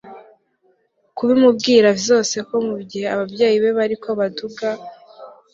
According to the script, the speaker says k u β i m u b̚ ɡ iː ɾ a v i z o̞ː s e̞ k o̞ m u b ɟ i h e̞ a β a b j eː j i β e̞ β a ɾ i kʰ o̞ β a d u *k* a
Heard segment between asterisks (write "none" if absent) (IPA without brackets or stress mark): ɡ